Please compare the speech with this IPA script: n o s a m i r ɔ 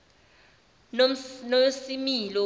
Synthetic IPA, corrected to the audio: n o s i m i l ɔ